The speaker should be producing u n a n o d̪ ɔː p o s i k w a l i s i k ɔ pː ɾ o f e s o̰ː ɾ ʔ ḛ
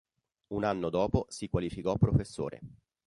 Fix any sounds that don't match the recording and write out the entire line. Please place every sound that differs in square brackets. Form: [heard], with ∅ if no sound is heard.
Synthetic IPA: u n a [nː] o d̪ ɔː p o s i k w a l i [f] i k ɔ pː ɾ o f e [sː] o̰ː ɾ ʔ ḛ